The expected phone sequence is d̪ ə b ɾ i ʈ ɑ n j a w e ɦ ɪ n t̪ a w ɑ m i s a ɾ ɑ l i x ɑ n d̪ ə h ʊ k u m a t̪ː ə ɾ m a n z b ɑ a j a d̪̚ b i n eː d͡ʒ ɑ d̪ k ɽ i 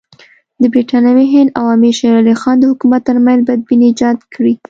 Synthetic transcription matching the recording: d̪ ə b ɾ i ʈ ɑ n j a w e ɦ ɪ n d̪ a w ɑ m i ʃ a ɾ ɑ l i x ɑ n d̪ ə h ʊ k u m a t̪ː ə ɾ m a n z b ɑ a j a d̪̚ b i n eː d͡ʒ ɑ d̪ k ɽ i